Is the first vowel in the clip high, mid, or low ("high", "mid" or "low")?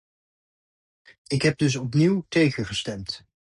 high